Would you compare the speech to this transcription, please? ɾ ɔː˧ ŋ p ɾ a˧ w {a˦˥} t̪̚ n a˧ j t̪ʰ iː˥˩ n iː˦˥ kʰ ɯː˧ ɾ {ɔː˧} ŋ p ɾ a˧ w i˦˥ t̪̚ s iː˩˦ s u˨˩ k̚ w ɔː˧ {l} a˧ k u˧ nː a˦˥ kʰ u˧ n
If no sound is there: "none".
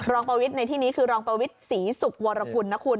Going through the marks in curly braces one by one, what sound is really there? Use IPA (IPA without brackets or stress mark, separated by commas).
i˦˥, ɔː˧, ɾ